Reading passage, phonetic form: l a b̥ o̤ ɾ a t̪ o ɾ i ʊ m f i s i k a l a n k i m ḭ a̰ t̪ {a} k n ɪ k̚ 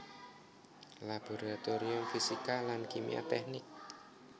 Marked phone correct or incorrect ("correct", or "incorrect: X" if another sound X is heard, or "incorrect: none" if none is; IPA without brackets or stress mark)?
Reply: incorrect: ɛ